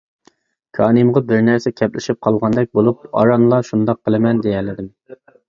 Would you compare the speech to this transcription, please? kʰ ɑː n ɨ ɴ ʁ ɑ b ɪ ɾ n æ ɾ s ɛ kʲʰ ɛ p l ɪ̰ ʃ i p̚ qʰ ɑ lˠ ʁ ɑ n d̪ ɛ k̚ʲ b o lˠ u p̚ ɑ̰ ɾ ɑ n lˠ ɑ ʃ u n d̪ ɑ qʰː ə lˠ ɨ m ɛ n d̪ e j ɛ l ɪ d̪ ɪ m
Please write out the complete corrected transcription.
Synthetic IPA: kʰ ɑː n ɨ m ʁ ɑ b ɪ ɾ n æ ɾ s ɛ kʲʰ ɛ p l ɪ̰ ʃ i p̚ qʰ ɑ lˠ ʁ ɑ n d̪ ɛ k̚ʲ b o lˠ u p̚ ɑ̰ ɾ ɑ n lˠ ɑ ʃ u n d̪ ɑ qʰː ə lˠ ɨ m ɛ n d̪ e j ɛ l ɪ d̪ ɪ m